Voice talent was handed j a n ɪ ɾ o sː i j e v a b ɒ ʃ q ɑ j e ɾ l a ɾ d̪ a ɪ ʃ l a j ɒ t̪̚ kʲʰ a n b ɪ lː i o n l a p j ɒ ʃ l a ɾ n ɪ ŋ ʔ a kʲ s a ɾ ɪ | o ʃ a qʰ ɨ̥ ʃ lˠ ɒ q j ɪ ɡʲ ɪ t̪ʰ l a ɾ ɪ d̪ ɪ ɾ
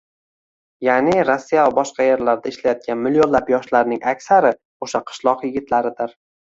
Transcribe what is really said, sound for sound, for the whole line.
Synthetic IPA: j a n ɪ ɾ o sː i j a v a b ɒ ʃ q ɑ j e ɾ l a ɾ d̪ a ɪ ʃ l a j ɒ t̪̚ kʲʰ a n m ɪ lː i o n l a p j ɒ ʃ l a ɾ n ɪ ŋ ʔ a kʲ s a ɾ ɪ | o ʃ a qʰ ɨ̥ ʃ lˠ ɒ q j ɪ ɡʲ ɪ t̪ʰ l a ɾ ɪ d̪ ɪ ɾ